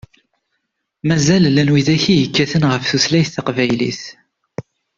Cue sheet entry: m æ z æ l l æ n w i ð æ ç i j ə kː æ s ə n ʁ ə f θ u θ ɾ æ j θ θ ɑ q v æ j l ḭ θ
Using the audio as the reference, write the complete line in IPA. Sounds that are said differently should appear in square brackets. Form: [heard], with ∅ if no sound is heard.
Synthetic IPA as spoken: m æ z æ l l æ n w i ð æ ç i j ə kː æ [θ] ə n ʁ ə f θ u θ [l] æ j θ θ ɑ q v æ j l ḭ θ